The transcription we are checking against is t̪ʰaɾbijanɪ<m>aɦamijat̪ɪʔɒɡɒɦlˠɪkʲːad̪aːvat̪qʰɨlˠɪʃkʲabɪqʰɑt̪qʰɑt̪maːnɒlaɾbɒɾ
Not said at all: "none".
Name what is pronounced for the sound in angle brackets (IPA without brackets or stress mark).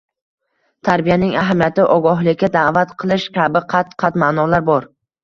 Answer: ŋ